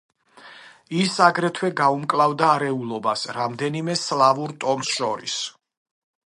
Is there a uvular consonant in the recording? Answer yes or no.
no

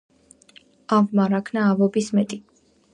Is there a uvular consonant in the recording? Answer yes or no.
no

